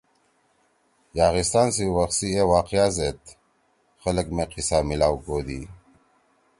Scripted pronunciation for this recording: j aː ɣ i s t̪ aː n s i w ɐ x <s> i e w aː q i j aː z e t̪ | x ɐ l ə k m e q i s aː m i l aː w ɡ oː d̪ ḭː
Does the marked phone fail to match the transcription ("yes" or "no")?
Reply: no